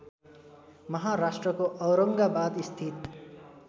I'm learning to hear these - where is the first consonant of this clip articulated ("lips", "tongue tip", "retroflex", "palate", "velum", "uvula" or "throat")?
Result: lips